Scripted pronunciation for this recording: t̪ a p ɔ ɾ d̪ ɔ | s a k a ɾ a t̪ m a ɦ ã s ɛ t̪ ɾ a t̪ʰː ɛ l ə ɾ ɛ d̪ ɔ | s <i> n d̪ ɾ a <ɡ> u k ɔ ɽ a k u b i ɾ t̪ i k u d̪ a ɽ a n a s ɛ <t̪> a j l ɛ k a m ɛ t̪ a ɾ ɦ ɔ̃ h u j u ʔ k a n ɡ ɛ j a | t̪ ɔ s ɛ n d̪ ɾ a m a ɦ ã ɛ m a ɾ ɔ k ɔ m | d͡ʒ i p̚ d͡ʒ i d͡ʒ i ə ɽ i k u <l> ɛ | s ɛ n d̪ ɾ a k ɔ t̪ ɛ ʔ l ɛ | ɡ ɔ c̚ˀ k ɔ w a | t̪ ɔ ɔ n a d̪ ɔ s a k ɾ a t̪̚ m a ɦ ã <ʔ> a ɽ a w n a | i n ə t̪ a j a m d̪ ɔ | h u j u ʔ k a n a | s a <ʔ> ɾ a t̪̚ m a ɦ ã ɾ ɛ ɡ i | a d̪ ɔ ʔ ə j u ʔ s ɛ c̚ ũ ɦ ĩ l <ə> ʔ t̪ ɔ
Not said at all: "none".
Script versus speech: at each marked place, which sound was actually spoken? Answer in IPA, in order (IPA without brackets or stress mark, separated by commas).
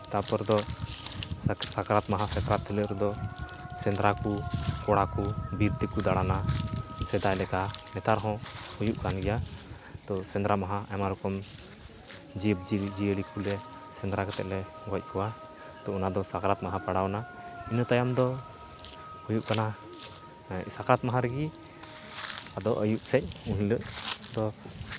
ɛ, k, d̪, l, p, k, ə